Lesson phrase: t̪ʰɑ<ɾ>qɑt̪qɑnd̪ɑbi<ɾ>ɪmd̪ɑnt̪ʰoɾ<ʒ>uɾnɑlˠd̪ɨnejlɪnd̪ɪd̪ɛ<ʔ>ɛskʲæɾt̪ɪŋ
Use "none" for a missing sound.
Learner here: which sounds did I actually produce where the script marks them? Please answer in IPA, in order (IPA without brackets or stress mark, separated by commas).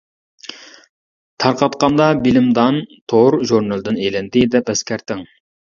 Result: ɾ, l, ʒ, p